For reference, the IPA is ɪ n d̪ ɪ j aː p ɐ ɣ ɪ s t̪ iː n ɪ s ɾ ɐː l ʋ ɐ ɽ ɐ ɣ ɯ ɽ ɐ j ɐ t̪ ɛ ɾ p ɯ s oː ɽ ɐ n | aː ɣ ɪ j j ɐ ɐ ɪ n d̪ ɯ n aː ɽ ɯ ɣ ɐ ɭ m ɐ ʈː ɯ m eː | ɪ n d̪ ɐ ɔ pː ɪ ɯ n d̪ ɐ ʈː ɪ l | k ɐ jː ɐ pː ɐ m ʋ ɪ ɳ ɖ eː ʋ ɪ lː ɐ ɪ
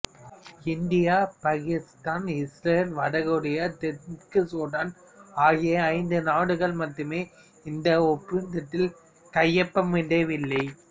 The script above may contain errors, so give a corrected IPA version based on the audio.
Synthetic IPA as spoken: ɪ n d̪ ɪ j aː p ɐ ɣ ɪ s t̪ aː n ɪ s ɾ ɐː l ʋ ɐ ɽ ɐ ɣ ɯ ɽ ɐ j ɐ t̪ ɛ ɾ k ɯ s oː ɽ ɐ n | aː ɣ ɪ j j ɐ ɐ ɪ n d̪ ɯ n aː ɽ ɯ ɣ ɐ ɭ m ɐ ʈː ɯ m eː | ɪ n d̪ ɐ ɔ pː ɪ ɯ n d̪ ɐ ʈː ɪ l | k ɐ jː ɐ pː ɐ m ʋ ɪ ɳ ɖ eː ʋ ɪ lː ɐ ɪ